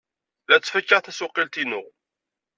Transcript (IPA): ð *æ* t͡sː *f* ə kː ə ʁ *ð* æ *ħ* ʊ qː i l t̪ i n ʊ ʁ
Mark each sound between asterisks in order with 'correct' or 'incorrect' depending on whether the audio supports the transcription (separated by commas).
correct, correct, incorrect, incorrect